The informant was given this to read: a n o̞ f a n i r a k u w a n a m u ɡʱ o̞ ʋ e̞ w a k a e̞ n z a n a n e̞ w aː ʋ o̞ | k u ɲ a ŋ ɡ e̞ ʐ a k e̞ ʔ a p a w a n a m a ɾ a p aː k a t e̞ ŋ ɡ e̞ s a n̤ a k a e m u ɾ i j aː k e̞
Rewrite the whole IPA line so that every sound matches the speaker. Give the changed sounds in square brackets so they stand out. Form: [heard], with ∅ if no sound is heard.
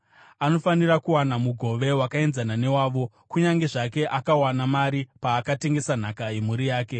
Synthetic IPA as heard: a n o̞ f a n i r a k u w a n a m u ɡʱ o̞ ʋ e̞ w a k a e̞ n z a n a n e̞ w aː ʋ o̞ | k u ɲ a ŋ ɡ e̞ ʐ a k e̞ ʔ a [k] a w a n a m a ɾ [i] p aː k a t e̞ ŋ ɡ e̞ s a n̤ a k a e m u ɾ i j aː k e̞